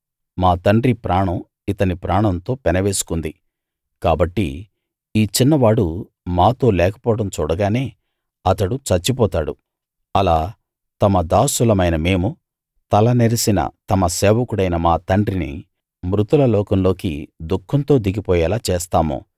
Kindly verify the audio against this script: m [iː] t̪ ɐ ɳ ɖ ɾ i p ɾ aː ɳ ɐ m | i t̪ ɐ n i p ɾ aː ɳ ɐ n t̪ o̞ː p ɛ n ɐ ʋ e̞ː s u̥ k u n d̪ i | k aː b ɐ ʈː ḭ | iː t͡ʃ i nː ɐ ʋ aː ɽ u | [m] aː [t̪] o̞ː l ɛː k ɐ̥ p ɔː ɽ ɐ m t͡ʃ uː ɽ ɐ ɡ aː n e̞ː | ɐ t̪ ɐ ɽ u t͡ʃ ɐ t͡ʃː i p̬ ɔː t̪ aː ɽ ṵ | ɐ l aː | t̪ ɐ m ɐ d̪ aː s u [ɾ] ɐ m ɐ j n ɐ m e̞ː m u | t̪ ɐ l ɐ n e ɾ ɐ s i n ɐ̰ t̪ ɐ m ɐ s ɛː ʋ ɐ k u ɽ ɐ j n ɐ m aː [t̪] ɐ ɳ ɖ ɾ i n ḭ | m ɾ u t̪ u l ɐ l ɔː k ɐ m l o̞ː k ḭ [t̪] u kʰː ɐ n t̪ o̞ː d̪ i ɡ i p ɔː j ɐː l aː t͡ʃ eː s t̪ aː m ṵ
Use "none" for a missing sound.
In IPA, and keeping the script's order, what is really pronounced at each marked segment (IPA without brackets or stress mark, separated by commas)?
aː, m, t̪, l, t̪, d̪